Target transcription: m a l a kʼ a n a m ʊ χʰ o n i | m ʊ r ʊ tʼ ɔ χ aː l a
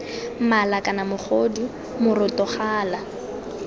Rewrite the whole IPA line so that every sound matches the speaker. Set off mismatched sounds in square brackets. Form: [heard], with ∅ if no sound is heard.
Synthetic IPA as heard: m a l a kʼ a n a m ʊ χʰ o [d] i | m ʊ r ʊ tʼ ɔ χ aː l a